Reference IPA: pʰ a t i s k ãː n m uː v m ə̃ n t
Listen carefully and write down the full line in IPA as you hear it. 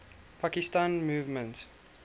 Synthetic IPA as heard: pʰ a k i s t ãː n m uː v m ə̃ n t